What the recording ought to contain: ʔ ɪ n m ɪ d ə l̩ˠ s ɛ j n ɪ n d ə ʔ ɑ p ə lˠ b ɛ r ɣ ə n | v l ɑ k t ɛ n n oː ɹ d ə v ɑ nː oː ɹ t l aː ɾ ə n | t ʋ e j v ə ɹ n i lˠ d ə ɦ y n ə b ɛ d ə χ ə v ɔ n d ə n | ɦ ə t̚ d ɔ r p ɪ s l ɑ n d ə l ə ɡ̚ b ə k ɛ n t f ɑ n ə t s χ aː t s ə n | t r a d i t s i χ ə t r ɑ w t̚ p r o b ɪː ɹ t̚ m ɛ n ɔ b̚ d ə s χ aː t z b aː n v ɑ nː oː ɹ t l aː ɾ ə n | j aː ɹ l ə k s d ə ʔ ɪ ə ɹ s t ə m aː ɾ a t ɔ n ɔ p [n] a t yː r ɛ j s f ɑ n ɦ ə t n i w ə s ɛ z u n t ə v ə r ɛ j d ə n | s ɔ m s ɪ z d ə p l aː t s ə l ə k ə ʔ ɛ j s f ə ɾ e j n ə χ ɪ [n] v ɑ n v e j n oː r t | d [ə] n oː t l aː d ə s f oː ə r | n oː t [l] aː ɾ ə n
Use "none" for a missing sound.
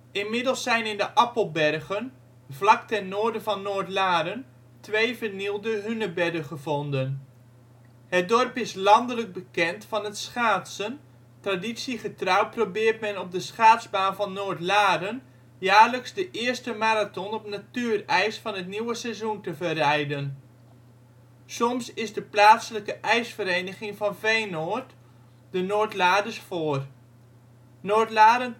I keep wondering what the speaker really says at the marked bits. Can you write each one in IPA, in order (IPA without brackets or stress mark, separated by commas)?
n, ŋ, ə, l